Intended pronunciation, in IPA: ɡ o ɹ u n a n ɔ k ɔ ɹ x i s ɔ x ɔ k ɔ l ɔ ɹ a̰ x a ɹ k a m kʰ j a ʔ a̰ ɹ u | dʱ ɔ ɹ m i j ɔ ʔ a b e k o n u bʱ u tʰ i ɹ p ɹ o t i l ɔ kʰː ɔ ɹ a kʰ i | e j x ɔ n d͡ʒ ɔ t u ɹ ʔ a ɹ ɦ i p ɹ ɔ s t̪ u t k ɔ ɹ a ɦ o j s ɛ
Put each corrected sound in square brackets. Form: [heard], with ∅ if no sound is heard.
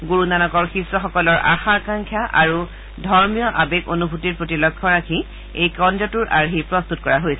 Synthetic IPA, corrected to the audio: ɡ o ɹ u n a n ɔ k ɔ ɹ x i s ɔ x ɔ k ɔ l ɔ ɹ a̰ x a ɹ k a [ŋ] kʰ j a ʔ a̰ ɹ u | dʱ ɔ ɹ m i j ɔ ʔ a b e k o n u bʱ u [t] i ɹ p ɹ o t i l ɔ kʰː ɔ ɹ a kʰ i | e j [k] ɔ n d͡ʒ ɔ t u ɹ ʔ a ɹ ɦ i p ɹ ɔ s t̪ u t k ɔ ɹ a ɦ o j s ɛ